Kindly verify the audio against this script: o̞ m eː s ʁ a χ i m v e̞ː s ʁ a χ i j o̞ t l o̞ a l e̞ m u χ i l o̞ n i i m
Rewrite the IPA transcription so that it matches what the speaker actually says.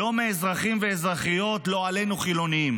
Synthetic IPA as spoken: o̞ m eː z ʁ a χ i m v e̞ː z ʁ a χ i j o̞ t l o̞ a l e̞ n u χ i l o̞ n i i m